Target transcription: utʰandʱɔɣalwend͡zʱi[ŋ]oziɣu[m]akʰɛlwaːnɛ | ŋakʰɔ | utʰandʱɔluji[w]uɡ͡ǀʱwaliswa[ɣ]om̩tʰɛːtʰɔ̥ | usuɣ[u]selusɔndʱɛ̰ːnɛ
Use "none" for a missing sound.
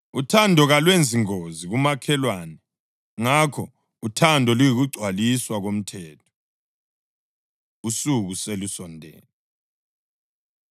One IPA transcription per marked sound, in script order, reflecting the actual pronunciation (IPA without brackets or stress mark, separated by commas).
ŋ, m, ɣ, ɣ, u